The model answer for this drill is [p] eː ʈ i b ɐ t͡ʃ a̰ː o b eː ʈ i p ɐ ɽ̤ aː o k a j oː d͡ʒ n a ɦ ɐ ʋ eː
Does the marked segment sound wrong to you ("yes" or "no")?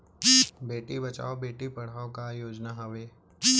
yes